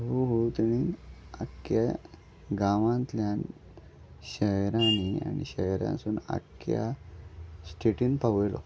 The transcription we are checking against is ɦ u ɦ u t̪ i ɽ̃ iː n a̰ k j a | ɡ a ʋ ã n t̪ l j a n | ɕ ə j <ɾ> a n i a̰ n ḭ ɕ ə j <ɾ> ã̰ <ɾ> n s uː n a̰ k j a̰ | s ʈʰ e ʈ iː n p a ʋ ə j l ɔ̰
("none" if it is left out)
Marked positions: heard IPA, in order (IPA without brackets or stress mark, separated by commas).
ɾ, ɾ, none